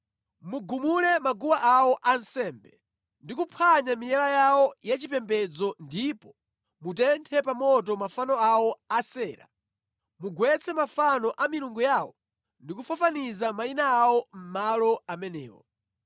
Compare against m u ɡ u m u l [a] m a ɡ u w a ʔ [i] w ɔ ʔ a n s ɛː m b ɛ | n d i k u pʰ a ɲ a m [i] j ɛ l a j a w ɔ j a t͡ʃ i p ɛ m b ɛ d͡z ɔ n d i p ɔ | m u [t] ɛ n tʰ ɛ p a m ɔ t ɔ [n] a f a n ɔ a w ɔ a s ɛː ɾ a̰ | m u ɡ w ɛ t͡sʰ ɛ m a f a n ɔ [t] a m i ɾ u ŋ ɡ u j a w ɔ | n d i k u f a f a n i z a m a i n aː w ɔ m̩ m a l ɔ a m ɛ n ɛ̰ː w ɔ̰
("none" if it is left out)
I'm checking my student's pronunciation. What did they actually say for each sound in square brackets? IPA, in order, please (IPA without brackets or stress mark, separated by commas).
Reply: ɛ, a, i, t, m, ʔ